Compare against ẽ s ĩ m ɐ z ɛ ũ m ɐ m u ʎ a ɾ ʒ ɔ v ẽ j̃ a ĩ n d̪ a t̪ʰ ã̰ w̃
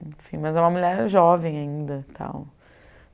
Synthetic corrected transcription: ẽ f ĩ m ɐ z ɛ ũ m ɐ m u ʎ ɛ ɾ ʒ ɔ v ẽ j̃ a ĩ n d̪ ɐ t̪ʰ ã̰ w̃